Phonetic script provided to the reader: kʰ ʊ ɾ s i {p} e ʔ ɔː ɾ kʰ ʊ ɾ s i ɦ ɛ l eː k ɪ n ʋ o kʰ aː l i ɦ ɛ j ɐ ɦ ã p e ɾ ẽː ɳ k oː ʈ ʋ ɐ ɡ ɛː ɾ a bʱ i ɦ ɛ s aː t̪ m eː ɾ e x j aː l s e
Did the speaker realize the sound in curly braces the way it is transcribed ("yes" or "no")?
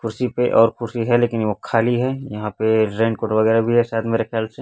yes